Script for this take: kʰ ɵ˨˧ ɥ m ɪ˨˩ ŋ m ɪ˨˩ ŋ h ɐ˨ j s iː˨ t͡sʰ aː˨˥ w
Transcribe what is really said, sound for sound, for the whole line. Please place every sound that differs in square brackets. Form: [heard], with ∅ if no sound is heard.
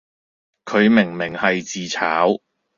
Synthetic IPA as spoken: kʰ ɵ˨˧ ɥ m ɪ˨˩ ŋ m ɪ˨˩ ŋ h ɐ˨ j [t͡s] iː˨ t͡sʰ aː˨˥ w